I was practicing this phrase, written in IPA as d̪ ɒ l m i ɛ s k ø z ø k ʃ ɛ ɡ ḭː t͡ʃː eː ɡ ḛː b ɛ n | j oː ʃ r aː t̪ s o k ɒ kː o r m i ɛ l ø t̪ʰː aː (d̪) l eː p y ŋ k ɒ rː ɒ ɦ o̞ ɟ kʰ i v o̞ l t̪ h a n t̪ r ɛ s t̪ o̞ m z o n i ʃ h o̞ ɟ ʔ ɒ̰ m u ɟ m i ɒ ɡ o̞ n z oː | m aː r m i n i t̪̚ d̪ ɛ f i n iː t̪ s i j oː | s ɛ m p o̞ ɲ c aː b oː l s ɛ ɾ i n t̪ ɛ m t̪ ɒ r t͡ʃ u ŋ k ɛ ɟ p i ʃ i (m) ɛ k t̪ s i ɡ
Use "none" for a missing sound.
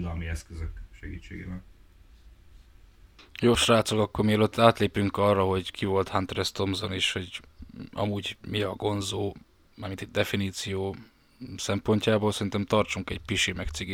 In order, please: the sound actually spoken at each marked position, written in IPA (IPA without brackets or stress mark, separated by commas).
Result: t̪, m